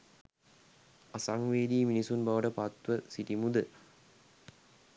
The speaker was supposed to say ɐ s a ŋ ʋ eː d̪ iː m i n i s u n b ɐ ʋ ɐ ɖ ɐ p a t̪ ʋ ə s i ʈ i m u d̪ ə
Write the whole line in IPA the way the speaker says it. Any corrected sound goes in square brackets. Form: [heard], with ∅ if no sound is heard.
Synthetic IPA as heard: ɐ s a ŋ ʋ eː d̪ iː m i n i s u n b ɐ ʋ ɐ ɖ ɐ p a t̪ ʋ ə s i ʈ i m u d̪ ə